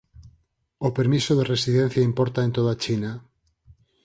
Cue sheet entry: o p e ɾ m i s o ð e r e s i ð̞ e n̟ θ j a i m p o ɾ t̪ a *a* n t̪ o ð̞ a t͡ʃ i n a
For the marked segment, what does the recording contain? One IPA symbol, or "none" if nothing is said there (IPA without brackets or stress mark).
e